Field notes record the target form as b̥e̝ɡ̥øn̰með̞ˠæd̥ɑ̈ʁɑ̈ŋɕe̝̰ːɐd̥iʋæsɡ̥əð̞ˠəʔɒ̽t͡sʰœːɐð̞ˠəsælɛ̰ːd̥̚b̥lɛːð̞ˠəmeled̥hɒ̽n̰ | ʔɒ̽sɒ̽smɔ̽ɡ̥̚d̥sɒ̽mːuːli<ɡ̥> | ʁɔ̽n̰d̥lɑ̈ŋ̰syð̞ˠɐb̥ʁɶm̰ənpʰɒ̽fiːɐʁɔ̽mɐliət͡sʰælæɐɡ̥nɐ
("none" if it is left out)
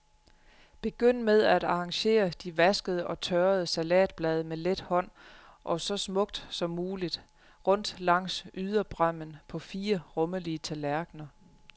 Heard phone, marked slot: d̥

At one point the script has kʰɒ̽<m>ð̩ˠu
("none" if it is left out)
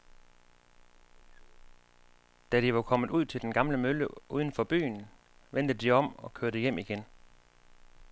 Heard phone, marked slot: m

